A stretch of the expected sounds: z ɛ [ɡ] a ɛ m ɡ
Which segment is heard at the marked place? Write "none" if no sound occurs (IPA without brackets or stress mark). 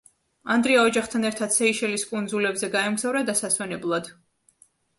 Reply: ɡ